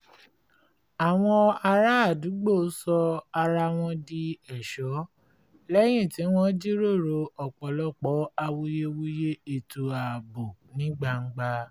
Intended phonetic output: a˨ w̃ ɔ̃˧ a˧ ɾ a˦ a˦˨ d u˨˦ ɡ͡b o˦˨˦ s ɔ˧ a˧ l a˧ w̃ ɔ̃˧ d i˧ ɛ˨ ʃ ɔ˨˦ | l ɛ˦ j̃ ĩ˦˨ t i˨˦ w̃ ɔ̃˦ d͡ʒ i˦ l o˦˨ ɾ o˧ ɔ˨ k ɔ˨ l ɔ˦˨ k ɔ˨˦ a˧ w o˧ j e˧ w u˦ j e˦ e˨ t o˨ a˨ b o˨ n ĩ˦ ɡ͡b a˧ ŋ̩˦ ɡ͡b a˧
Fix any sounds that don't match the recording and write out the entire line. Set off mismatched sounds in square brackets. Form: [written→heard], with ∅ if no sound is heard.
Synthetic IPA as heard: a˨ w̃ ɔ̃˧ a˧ ɾ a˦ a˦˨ d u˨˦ ɡ͡b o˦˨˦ s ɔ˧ a˧ [l→ɾ] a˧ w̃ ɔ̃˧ d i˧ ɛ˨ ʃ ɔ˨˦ | l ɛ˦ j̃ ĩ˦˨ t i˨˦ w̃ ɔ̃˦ d͡ʒ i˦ [l→ɾ] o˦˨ ɾ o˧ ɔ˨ [k→k͡p] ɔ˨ l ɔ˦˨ [k→k͡p] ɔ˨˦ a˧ w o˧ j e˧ w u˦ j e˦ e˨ t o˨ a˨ b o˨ n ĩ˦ ɡ͡b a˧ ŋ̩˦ ɡ͡b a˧